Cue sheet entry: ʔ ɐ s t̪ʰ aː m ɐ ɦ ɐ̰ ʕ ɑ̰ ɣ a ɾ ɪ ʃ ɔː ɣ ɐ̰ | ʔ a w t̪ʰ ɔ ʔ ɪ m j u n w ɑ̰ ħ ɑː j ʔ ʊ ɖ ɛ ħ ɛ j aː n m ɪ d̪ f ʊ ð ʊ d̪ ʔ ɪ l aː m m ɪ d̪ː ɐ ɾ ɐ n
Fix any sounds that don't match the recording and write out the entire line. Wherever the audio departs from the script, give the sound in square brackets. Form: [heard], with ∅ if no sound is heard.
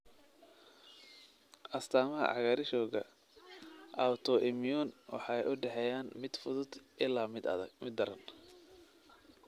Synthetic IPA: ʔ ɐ s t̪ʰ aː m ɐ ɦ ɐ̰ ʕ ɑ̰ ɣ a ɾ ɪ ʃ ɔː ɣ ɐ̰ | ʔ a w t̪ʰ ɔ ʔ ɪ m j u n w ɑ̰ ħ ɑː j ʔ ʊ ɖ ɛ ħ ɛ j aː n m ɪ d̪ f ʊ ð ʊ d̪ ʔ ɪ l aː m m ɪ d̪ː ɐ ɾ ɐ n